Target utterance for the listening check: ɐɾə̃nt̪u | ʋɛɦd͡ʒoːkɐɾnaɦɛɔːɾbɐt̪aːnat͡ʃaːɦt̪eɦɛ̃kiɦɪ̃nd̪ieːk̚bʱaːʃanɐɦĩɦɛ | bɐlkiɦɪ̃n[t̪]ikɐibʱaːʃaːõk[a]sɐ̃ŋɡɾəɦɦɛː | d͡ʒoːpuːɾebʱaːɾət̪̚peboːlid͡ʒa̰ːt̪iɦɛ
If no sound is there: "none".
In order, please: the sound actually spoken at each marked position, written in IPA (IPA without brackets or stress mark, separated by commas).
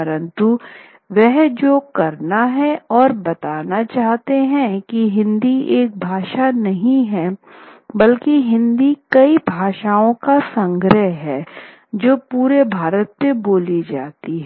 d̪, a